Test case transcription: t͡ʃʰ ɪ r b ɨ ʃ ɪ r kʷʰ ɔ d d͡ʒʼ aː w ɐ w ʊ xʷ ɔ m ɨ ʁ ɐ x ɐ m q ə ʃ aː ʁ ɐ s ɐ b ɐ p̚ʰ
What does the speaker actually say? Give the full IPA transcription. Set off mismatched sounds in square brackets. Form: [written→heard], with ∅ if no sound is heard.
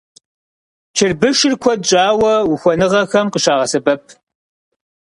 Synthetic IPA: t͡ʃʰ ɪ r b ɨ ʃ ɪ r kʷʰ ɔ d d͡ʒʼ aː w ɐ w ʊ xʷ ɔ [m→n] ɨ ʁ ɐ x ɐ m q ə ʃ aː ʁ ɐ s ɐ b ɐ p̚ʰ